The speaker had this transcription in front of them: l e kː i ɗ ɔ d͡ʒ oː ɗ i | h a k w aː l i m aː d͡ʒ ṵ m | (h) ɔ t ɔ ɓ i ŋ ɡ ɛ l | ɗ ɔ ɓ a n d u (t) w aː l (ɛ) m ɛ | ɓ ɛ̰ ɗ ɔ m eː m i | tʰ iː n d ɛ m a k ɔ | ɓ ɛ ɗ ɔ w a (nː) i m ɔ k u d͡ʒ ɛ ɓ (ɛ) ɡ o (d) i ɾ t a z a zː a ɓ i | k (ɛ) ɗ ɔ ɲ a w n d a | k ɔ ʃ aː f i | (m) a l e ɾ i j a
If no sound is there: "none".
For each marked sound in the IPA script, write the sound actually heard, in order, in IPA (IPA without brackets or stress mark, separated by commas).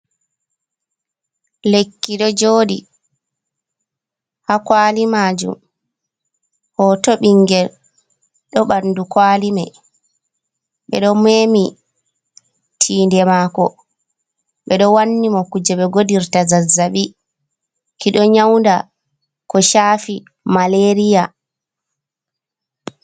h, k, i, nː, ɛ, d, i, m